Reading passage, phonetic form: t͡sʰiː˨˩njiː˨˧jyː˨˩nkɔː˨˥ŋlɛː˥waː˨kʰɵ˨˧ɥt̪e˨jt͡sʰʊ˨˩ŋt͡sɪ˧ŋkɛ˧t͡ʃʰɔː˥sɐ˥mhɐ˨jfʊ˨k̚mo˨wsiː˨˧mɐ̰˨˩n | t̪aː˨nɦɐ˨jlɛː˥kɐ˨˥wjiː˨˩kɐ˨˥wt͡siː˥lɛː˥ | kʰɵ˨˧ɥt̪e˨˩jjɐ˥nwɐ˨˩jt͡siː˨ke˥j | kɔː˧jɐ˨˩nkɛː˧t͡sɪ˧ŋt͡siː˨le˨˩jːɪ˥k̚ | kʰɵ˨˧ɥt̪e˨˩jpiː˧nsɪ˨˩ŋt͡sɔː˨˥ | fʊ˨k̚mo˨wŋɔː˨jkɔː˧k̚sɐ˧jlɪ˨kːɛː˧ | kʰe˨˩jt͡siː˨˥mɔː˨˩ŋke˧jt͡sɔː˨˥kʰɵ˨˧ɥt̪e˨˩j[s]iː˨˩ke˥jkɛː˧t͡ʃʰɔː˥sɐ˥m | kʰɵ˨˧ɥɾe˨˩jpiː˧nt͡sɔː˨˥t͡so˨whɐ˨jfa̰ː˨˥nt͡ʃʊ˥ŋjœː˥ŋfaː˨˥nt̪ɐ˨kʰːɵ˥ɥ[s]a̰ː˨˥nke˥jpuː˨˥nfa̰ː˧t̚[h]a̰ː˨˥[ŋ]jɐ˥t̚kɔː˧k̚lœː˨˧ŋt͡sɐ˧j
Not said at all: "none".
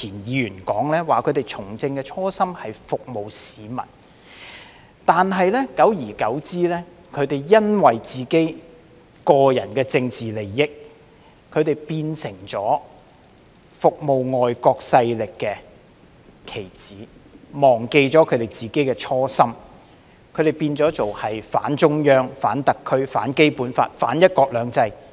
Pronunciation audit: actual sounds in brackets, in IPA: t͡s, f, f, n

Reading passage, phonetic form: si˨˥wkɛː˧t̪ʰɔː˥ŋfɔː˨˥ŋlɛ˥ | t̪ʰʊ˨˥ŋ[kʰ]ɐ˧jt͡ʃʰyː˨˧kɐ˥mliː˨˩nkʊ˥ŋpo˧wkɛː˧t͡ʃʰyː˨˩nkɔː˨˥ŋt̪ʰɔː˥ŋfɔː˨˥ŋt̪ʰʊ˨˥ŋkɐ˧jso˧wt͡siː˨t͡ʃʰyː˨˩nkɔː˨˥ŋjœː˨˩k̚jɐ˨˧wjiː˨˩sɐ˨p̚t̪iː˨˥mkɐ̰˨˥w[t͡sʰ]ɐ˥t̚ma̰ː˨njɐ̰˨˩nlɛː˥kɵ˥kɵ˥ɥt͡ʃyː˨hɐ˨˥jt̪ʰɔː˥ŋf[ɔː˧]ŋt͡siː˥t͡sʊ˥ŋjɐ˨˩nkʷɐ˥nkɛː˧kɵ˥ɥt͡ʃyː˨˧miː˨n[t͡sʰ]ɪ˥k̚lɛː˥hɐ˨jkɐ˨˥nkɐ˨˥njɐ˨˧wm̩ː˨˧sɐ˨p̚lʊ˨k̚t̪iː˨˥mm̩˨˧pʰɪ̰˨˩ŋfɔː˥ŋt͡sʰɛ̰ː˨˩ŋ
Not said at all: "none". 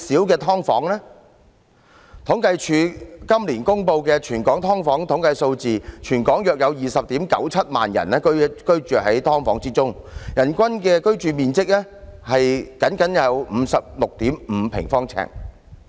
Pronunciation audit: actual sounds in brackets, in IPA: k, t͡sʰ, ɔː˨˥, t͡s

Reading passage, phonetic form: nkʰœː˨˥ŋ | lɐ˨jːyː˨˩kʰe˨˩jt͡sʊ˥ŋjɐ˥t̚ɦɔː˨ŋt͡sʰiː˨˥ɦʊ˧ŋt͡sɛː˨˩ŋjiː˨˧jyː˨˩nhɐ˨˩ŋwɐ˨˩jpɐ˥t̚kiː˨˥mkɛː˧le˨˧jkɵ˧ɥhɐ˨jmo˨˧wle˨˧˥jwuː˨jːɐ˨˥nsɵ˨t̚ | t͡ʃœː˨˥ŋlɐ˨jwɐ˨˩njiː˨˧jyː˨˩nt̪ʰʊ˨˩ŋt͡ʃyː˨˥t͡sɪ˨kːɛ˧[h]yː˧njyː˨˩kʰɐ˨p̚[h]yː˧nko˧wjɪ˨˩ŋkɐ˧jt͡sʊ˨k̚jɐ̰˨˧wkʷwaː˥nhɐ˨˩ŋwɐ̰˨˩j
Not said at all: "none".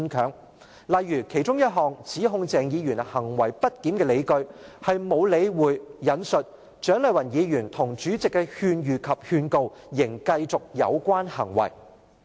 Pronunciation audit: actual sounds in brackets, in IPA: h, h

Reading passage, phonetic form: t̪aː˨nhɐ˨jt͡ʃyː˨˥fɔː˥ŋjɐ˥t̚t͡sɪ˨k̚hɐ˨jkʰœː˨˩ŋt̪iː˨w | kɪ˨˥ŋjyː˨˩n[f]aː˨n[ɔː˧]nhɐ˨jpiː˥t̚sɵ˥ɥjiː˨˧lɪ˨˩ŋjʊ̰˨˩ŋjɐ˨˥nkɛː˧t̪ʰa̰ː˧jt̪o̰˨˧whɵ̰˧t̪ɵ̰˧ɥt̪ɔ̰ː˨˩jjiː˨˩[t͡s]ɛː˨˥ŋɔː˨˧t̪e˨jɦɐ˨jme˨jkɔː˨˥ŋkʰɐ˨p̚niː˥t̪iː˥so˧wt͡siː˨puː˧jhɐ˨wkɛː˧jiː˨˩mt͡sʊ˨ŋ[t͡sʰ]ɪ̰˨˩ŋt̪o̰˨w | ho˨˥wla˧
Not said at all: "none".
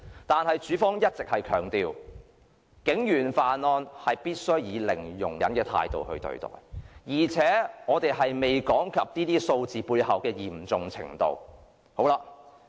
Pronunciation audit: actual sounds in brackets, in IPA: f, ɔː˧, t͡sʰ, t͡sʰ

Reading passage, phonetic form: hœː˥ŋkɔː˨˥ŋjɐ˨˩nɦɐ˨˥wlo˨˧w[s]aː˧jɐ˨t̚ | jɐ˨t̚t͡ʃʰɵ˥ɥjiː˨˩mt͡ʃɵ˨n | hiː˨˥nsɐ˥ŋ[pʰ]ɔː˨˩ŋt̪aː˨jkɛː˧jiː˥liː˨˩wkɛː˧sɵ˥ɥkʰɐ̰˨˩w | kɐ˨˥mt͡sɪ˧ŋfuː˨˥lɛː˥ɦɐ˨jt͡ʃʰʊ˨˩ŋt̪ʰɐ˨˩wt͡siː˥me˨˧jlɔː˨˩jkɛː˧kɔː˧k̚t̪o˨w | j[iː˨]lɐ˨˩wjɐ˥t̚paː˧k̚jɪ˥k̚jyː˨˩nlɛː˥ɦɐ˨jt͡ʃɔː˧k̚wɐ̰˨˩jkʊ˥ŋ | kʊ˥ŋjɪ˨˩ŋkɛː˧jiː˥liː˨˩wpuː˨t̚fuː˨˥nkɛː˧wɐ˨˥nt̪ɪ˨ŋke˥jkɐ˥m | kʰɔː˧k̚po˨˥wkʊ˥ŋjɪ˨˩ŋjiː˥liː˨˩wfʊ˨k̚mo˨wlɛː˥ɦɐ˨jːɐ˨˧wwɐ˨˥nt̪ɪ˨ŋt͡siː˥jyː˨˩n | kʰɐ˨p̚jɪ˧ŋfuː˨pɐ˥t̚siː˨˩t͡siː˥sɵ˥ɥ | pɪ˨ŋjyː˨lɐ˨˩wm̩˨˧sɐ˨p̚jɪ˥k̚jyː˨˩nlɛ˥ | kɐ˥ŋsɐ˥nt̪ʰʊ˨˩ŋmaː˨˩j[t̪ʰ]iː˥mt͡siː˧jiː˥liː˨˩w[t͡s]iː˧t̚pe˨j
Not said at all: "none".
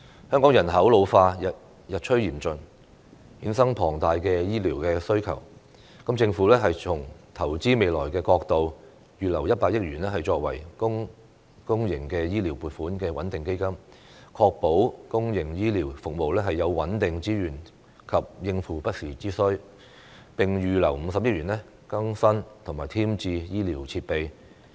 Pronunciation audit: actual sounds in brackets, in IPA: f, pʰ, yː˨, t̪ʰ, t͡sʰ

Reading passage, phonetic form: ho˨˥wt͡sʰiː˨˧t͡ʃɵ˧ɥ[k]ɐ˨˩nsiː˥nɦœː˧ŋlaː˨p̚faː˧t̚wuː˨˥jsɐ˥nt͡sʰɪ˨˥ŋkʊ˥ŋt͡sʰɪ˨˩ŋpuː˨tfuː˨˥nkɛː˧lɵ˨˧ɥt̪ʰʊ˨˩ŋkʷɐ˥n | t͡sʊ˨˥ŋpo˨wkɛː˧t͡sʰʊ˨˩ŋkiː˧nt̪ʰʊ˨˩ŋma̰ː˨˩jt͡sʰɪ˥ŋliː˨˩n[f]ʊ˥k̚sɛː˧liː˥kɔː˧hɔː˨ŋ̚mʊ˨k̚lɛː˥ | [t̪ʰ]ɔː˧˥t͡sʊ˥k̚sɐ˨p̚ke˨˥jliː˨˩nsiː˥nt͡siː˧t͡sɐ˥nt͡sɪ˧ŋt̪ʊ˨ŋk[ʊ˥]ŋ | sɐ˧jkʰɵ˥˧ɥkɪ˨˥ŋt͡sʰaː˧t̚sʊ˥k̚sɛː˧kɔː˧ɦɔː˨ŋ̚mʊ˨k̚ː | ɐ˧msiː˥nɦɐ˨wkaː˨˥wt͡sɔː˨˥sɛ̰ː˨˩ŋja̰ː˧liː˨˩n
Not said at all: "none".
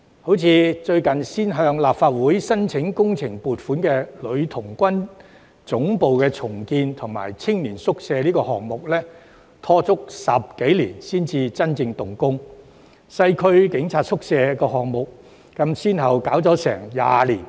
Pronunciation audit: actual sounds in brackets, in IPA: k, s, t̪ʰ, ʊ˥

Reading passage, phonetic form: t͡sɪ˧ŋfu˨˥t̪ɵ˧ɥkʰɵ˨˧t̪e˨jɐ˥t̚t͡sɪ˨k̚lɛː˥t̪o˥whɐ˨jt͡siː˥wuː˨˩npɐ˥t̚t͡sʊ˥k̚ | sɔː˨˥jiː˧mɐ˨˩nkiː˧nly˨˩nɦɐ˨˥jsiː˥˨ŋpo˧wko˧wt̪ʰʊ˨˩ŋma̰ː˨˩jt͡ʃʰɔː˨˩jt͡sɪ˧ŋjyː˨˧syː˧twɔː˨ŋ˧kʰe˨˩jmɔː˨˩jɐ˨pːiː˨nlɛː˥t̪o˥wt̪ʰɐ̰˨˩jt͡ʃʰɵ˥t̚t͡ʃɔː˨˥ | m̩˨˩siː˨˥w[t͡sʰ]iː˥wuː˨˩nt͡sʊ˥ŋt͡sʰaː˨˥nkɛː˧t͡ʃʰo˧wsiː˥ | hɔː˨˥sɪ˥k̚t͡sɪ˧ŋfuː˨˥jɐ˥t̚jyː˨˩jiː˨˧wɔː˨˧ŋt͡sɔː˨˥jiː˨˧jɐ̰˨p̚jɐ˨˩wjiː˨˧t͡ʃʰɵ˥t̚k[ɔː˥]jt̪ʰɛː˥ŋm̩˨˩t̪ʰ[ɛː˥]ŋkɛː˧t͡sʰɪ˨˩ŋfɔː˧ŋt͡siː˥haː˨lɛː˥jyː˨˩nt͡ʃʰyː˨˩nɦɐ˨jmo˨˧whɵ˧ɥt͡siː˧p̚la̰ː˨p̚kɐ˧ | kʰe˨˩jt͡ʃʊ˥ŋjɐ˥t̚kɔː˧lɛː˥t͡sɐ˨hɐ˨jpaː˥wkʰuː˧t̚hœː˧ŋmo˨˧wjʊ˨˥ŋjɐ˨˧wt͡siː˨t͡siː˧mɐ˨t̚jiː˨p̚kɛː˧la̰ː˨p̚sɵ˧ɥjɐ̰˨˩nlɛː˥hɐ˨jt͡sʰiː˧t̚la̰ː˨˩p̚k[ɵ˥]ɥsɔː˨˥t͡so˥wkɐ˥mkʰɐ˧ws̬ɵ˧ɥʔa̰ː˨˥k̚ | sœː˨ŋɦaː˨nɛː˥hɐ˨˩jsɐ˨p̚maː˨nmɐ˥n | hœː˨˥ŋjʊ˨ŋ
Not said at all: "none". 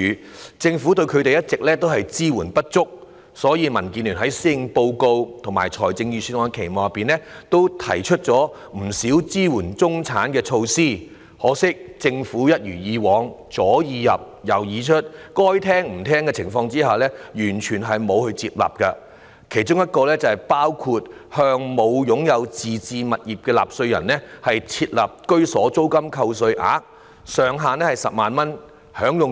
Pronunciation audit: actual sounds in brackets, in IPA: t͡s, ɔː˥, ɛː˥, ɵ˥

